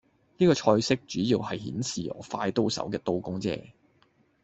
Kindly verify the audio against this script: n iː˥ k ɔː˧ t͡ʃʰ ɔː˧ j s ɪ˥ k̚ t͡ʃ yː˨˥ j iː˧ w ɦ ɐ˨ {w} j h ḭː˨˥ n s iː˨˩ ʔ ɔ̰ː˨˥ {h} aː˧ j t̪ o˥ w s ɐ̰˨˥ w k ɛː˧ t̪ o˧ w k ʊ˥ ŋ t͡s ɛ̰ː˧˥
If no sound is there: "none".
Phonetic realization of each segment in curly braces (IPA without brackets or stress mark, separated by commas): none, f